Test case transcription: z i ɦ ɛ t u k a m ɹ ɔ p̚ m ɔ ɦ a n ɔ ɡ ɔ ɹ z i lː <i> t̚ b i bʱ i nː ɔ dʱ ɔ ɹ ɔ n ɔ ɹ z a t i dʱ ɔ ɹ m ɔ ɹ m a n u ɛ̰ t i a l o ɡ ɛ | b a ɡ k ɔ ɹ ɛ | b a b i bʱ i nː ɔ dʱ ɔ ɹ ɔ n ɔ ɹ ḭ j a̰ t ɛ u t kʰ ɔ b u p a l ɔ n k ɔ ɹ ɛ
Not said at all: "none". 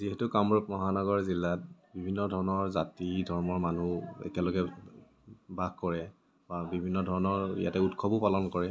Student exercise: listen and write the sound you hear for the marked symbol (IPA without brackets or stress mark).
a